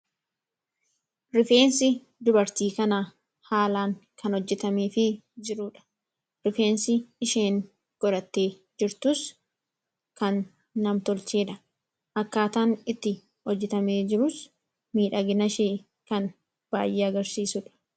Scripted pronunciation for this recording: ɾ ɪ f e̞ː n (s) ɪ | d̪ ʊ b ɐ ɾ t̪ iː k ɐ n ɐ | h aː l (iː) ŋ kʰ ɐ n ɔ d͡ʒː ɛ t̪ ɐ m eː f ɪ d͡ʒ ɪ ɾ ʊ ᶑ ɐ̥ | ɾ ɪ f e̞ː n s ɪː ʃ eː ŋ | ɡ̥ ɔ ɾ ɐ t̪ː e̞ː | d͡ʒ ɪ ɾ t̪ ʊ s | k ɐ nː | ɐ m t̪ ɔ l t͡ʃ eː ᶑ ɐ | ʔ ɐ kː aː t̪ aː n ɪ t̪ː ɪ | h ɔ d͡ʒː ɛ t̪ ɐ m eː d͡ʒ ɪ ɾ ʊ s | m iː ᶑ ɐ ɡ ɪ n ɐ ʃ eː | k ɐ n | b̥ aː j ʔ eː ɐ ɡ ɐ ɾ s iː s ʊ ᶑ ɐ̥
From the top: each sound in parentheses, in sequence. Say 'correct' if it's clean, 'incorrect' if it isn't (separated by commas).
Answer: correct, incorrect